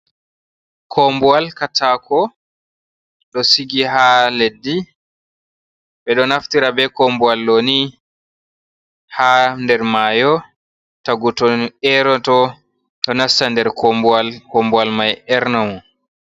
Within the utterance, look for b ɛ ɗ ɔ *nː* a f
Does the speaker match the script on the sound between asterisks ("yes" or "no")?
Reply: no